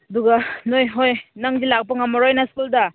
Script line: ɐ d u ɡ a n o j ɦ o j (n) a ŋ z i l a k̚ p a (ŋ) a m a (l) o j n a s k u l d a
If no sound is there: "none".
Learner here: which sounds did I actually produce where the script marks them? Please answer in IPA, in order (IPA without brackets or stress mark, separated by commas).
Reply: n, ŋ, ɾ